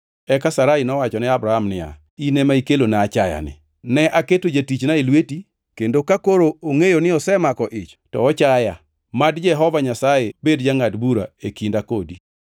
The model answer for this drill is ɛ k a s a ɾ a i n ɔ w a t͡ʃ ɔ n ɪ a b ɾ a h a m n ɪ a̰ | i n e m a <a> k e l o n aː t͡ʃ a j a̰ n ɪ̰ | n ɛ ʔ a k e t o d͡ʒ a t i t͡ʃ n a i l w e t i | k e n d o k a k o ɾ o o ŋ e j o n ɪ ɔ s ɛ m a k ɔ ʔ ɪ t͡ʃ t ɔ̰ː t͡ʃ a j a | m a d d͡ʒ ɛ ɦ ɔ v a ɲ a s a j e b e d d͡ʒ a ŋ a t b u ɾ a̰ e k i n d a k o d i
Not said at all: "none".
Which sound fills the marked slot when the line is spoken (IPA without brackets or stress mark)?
i